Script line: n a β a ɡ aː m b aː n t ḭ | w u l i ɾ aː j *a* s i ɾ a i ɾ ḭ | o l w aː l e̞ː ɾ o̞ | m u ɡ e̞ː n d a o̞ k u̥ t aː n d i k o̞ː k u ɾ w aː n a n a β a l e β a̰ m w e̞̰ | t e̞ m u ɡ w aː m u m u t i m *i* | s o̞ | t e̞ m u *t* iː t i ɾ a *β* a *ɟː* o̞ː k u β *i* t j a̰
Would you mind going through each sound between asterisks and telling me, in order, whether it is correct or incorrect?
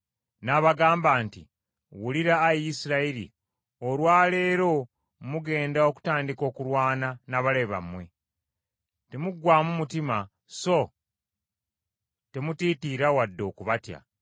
incorrect, incorrect, correct, incorrect, incorrect, incorrect

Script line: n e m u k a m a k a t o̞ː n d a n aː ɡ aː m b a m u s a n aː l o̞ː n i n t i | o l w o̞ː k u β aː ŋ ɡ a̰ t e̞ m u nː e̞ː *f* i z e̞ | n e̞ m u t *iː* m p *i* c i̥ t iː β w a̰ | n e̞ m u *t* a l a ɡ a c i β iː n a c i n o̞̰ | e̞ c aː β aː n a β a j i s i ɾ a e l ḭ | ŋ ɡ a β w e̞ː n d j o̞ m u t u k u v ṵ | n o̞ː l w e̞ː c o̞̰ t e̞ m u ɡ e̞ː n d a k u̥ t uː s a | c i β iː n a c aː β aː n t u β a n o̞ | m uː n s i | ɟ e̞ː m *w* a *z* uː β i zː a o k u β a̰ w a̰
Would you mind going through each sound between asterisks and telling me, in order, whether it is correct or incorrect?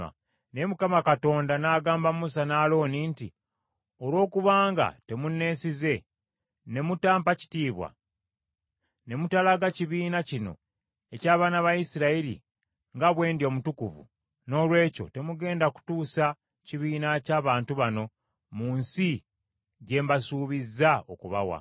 incorrect, incorrect, incorrect, correct, incorrect, incorrect

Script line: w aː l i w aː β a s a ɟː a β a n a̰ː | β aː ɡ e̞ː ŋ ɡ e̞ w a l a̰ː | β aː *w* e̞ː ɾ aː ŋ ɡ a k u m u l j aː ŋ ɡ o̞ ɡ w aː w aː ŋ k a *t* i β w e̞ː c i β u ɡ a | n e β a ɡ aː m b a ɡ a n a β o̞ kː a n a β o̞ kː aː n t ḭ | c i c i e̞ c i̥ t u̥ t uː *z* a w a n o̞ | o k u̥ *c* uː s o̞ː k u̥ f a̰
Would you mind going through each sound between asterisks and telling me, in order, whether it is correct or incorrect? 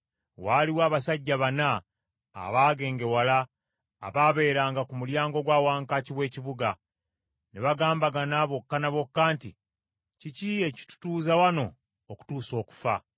incorrect, incorrect, correct, incorrect

